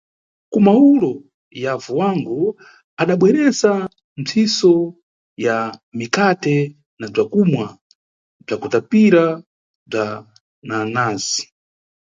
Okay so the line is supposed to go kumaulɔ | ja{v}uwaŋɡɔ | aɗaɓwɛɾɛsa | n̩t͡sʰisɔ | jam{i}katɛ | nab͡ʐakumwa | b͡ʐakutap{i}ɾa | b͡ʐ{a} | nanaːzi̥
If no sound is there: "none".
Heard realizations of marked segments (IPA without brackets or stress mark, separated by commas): v, i, i, a